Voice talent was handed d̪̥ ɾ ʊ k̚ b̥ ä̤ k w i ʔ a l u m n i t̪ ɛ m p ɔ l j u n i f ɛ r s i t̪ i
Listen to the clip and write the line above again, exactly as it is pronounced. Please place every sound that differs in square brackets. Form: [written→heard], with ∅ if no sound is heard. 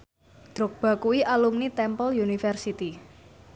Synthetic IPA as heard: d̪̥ ɾ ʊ k̚ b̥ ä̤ k [w→u] i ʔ a l u m n i t̪ ɛ m p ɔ l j u n i f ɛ r s i t̪ i